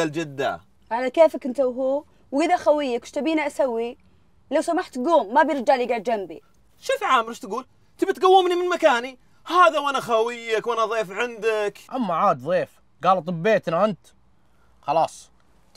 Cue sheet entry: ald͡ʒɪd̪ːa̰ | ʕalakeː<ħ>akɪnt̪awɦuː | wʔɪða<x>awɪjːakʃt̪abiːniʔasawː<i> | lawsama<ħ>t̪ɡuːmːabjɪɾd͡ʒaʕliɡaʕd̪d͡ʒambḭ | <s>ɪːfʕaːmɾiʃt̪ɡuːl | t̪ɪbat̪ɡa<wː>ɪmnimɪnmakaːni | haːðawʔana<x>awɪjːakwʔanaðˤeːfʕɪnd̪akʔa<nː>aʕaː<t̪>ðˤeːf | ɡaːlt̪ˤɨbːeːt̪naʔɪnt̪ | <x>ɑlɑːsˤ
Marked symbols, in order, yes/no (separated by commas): no, yes, yes, yes, no, yes, yes, no, no, yes